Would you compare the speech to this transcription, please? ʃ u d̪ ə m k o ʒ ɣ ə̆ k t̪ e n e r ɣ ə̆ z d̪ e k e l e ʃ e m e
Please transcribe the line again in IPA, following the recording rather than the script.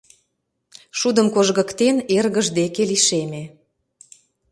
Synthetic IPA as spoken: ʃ u d̪ ə m k o ʒ ɣ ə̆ k t̪ e n e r ɣ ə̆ ʒ d̪ e k e l i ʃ e m e

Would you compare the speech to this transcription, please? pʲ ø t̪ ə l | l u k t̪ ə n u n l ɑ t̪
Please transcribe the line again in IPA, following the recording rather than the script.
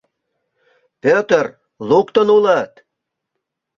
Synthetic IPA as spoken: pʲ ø t̪ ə r | l u k t̪ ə n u l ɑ t̪

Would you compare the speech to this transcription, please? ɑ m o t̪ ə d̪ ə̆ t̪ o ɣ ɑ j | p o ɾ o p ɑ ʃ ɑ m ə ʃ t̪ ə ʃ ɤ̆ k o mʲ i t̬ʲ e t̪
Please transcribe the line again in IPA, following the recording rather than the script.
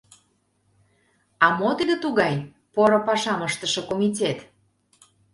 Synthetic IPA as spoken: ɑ m o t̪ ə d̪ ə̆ t̪ u ɣ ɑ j | p o ɾ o p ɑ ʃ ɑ m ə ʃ t̪ ə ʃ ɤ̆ k o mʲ i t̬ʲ e t̪

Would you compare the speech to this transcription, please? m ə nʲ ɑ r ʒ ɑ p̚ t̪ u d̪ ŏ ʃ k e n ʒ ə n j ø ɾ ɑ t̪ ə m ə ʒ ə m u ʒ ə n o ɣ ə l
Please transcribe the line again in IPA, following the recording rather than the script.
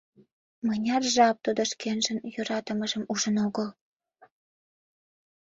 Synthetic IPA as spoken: m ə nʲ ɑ r ʒ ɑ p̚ t̪ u d̪ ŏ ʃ k e n ʒ ə n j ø ɾ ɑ t̪ ə m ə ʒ ə m u ʒ ə n o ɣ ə l

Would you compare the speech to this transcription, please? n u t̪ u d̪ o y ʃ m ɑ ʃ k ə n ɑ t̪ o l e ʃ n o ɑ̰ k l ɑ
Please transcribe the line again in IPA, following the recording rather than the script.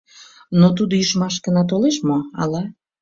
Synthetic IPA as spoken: n o t̪ u d̪ o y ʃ m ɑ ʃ k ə n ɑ t̪ o l e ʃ m o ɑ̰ l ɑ

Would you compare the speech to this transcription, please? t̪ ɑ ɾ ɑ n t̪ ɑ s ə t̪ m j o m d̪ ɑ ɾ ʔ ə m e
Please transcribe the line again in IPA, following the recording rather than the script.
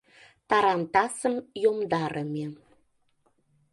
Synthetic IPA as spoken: t̪ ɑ ɾ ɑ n t̪ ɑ s ə m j o m d̪ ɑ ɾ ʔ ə m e

